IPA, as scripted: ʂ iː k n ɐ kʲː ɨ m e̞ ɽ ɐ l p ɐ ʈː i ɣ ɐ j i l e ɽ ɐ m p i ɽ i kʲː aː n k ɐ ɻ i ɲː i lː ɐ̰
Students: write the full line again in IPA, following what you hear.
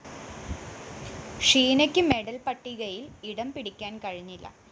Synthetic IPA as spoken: ʂ iː n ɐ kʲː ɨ m e̞ ɽ ɐ l p ɐ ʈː i ɣ ɐ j i l i ɽ ɐ m p i ɽ i kʲː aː n k ɐ ɻ i ɲː i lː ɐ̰